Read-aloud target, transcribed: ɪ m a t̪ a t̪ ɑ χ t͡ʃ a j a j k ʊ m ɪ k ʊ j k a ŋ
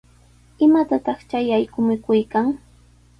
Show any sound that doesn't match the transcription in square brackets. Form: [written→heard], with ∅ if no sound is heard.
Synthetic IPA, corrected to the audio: ɪ m a t̪ a t̪ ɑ χ t͡ʃ a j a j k ʊ m ɪ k ʊ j k a ŋ